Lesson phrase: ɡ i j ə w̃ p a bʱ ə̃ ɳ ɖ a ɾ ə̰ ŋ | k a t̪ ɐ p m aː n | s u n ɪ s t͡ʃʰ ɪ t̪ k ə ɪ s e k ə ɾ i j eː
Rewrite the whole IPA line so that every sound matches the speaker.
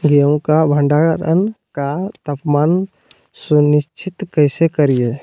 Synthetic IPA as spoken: ɡ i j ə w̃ k a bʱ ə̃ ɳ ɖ a ɾ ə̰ n | k a t̪ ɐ p m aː n | s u n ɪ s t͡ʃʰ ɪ t̪ k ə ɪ s e k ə ɾ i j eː